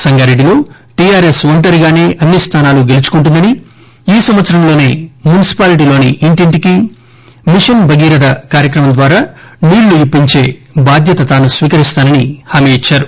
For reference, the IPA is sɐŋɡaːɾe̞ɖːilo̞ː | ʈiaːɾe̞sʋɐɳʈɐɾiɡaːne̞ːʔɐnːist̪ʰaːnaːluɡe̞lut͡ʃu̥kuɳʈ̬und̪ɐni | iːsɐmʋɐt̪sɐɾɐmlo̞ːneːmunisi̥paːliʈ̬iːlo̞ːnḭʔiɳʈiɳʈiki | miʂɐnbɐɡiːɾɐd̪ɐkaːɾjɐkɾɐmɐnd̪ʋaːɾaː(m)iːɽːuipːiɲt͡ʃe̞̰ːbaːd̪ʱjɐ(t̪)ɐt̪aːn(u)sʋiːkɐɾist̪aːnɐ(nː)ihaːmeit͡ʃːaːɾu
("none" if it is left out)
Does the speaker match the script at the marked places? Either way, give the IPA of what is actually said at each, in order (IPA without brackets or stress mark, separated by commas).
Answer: n, t̪, u, n